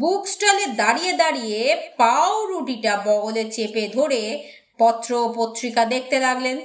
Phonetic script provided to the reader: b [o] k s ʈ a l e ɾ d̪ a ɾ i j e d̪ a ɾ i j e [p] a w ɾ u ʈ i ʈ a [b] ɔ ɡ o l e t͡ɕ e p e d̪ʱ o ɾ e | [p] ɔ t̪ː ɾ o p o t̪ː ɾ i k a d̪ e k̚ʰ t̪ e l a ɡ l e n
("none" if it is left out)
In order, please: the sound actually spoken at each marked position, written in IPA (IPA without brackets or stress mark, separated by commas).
u, p, b, p